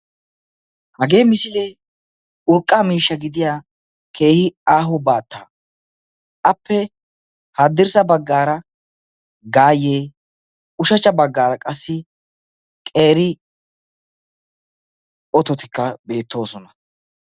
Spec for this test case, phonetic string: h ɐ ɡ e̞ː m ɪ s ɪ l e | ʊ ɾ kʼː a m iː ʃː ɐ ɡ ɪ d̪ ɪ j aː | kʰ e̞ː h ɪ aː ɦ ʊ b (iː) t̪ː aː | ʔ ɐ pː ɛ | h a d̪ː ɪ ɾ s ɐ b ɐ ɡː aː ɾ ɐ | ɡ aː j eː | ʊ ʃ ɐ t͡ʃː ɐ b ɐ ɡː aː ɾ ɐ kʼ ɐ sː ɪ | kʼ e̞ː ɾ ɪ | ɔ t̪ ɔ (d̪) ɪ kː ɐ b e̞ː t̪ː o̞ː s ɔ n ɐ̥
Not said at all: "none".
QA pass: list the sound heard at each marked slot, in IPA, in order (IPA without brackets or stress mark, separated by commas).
aː, t̪